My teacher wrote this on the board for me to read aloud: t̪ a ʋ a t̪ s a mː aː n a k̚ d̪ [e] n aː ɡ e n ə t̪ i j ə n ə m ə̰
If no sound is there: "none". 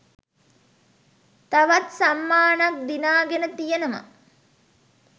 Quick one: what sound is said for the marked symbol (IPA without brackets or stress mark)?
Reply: i